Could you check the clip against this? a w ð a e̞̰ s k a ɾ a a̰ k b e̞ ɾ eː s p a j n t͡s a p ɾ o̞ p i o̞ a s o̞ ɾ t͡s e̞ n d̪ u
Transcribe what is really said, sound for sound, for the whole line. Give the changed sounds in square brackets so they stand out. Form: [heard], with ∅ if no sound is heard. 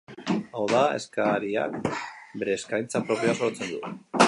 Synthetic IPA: a w ð a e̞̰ s k a ɾ [i] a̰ k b e̞ ɾ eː s [k] a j n t͡s a p ɾ o̞ p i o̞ a s o̞ ɾ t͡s e̞ n d̪ u